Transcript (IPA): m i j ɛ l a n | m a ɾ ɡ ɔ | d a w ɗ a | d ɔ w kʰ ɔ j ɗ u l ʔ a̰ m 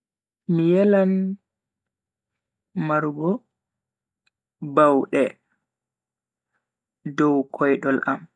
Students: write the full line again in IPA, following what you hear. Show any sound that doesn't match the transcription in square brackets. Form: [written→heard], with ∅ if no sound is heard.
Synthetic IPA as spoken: m i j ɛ l a n | m a ɾ ɡ ɔ | [d→b] a w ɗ [a→ɛ] | d ɔ w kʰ ɔ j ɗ [u→ɔ] l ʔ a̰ m